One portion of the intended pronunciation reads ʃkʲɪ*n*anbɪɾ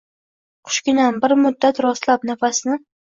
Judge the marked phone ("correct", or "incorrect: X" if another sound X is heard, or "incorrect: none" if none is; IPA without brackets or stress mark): correct